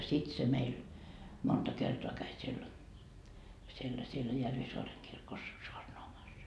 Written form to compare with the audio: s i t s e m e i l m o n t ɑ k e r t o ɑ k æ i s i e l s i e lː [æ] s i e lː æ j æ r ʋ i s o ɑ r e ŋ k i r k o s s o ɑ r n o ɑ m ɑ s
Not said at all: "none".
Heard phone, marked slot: æ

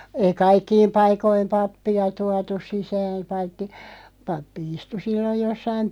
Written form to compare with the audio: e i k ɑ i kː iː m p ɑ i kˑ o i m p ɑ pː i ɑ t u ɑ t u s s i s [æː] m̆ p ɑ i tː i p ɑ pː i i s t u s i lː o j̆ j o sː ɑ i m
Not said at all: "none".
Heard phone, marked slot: æː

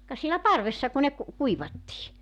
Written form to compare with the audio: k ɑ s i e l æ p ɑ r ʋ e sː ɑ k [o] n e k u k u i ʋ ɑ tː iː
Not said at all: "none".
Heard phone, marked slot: u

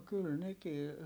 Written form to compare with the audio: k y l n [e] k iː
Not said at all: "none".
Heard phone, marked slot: e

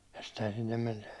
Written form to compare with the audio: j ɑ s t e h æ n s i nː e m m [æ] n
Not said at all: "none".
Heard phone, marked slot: e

